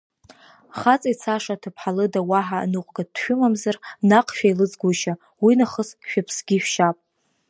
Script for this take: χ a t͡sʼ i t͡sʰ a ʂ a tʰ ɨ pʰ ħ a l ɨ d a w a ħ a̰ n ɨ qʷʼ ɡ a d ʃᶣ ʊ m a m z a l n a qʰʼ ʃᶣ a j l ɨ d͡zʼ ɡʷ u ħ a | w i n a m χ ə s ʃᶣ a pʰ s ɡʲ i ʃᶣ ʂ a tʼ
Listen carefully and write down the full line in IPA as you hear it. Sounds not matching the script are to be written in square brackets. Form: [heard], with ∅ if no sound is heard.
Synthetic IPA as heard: χ a t͡sʼ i t͡sʰ a ʂ a tʰ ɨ pʰ ħ a l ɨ d a w a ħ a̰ n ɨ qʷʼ ɡ a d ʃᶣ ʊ m a m z a [r] n a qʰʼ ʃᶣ a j l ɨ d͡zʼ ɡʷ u [ʃ] a | w i n a [∅] χ ə s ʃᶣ a pʰ s ɡʲ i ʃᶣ [ʃ] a [pʼ]